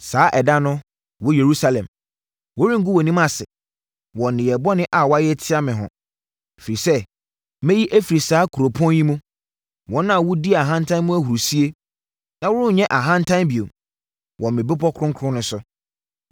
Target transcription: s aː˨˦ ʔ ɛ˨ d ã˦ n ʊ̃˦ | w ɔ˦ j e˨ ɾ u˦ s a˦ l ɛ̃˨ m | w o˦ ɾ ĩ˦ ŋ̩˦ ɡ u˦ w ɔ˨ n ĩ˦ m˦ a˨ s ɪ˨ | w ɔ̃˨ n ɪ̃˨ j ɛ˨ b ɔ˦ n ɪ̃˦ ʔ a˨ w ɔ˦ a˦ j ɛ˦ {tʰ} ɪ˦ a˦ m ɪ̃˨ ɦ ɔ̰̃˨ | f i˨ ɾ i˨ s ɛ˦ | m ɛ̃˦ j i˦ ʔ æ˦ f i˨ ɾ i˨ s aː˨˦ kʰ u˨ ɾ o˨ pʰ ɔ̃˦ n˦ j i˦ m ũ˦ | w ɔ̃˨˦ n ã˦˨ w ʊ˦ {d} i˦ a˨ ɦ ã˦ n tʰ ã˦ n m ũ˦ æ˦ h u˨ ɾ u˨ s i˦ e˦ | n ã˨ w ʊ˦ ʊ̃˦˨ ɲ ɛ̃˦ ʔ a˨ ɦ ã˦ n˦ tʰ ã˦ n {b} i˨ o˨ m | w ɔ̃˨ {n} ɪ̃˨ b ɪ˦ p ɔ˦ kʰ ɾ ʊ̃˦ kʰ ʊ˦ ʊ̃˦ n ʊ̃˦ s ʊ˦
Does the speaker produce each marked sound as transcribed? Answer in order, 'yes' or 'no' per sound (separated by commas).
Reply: yes, yes, yes, no